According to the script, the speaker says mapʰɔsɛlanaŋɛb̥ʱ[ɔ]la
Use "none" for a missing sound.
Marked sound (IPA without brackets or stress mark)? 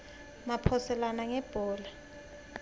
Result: ɔː